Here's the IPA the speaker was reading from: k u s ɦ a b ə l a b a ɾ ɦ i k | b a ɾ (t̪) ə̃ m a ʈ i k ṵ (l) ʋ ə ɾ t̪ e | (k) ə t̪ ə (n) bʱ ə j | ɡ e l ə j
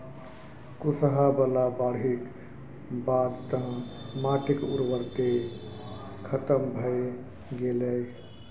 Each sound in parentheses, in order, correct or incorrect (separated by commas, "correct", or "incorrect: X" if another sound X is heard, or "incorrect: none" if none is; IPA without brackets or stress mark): correct, incorrect: ɾ, incorrect: kʰ, incorrect: m